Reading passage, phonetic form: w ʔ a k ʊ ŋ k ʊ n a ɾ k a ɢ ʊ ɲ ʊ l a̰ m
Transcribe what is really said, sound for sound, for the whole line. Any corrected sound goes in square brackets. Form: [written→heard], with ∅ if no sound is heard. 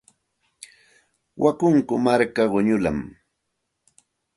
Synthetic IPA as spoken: w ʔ a k ʊ ŋ k ʊ [n→m] a ɾ k a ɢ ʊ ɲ ʊ l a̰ m